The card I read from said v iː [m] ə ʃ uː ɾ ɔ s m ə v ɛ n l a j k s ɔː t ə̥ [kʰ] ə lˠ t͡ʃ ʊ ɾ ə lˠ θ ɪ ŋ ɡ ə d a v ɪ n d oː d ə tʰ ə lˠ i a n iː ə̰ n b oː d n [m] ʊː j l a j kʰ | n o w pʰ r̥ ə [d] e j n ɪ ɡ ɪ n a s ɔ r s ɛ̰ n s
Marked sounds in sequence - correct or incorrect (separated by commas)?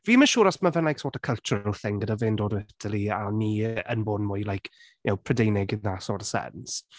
correct, correct, correct, correct